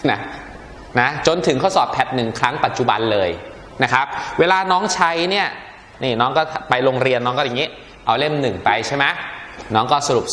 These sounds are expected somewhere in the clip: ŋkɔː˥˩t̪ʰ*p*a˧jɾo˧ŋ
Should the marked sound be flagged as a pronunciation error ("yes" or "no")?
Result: no